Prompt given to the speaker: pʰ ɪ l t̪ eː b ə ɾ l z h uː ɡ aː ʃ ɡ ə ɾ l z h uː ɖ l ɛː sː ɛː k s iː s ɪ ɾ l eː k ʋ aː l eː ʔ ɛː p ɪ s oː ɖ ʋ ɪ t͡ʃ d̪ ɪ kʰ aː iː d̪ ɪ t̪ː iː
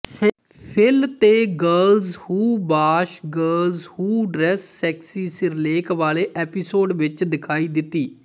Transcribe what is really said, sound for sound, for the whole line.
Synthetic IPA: pʰ ɪ l t̪ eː ɡ ə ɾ l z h uː b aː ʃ ɡ ə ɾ l z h uː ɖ ɾ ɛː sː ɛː k s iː s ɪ ɾ l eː k ʋ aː l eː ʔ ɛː p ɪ s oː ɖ ʋ ɪ t͡ʃ d̪ ɪ kʰ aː iː d̪ ɪ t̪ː iː